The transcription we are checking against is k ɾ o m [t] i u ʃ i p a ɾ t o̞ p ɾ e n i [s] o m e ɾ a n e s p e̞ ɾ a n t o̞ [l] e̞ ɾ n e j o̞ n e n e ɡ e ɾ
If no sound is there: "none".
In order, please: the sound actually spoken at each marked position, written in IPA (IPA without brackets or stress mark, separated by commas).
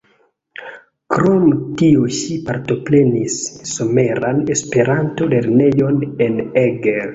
t, sː, l